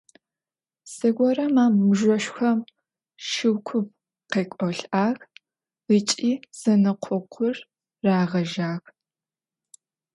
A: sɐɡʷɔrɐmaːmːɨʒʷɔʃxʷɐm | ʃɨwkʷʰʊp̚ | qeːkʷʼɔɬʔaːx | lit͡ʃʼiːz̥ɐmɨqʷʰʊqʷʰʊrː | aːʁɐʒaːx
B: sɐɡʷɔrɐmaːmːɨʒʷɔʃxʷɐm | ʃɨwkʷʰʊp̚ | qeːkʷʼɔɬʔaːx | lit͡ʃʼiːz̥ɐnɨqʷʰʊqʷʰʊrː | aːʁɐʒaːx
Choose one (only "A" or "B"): B